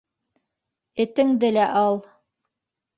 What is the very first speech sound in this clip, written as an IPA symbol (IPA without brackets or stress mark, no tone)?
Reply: ɘ̆